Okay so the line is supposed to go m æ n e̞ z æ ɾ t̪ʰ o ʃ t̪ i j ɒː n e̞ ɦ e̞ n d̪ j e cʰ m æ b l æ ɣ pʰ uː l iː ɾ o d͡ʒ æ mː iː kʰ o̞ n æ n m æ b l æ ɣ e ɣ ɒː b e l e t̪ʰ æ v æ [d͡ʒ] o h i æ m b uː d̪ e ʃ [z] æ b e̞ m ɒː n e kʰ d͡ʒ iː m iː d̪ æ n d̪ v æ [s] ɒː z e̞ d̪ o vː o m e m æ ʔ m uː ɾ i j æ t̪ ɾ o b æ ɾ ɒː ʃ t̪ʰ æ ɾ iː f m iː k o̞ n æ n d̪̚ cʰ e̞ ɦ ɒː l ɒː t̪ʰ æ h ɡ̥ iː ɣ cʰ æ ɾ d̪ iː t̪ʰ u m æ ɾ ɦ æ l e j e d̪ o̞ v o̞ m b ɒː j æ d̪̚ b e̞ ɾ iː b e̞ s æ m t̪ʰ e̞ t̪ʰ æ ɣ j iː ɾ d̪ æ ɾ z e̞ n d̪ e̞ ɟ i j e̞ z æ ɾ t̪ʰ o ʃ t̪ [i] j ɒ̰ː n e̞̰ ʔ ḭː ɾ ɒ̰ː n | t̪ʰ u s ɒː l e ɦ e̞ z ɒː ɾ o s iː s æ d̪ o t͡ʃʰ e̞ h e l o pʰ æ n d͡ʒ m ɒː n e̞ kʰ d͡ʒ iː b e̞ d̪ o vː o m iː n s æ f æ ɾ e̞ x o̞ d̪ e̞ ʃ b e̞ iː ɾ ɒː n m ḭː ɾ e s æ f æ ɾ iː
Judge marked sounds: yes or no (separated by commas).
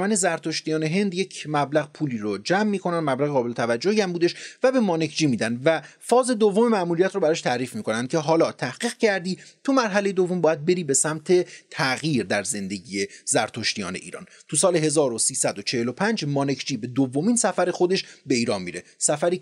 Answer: no, no, no, yes